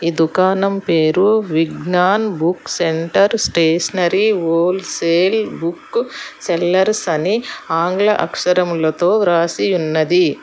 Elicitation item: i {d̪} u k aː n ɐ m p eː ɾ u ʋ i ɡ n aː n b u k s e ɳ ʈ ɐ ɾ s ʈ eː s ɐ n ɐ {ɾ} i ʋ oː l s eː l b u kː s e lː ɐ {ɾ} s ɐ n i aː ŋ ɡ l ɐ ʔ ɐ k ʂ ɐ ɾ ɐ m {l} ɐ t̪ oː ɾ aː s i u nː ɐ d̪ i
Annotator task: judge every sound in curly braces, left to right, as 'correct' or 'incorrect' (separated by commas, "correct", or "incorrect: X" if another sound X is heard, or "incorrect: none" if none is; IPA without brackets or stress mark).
correct, correct, correct, correct